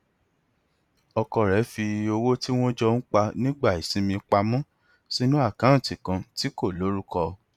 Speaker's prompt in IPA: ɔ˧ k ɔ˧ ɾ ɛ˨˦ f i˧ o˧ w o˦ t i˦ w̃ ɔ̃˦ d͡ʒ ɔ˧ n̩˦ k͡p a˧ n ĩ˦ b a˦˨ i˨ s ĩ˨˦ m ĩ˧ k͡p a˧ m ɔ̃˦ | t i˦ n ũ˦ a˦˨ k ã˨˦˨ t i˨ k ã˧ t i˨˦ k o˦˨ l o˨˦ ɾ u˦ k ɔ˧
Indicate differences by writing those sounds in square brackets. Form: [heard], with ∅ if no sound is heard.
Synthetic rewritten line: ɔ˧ k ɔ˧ ɾ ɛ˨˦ f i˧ o˧ w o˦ t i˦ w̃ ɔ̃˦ d͡ʒ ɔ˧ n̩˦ k͡p a˧ n ĩ˦ [ɡ͡b] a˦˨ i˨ s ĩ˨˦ m ĩ˧ k͡p a˧ m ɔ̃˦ | [s] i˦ n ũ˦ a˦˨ k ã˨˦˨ t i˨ k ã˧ t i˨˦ k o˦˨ l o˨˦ ɾ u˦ k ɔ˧